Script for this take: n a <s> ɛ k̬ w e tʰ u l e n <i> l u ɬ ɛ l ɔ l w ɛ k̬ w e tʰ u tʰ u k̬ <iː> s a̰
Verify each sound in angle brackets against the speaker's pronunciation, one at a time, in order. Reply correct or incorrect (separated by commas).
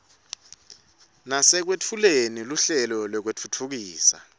correct, correct, correct